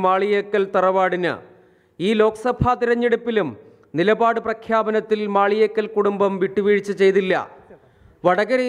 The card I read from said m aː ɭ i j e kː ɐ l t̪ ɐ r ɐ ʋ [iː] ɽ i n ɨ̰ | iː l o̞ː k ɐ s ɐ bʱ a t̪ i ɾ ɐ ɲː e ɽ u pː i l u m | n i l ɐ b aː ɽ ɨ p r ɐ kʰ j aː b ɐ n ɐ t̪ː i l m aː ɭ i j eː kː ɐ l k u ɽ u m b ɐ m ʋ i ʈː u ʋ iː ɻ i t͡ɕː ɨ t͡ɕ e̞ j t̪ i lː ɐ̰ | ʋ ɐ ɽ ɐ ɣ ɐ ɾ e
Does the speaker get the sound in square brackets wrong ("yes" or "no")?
yes